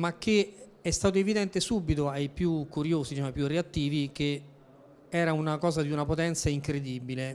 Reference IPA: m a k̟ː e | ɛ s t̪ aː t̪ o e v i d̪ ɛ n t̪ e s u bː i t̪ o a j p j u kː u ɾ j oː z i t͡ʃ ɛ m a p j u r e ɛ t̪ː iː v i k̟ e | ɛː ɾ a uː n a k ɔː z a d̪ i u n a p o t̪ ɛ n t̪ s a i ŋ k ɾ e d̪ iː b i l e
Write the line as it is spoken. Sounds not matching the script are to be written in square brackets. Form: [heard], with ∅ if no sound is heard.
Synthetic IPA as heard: m a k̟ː e | ɛ s t̪ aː t̪ o e v i d̪ ɛ n t̪ e s u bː i t̪ o a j p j u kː u ɾ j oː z i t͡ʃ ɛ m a p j u r e [a] t̪ː iː v i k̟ e | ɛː ɾ a [u] n a k ɔː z a d̪ i u n a p o t̪ ɛ n t̪ s a i ŋ k ɾ e d̪ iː b i l e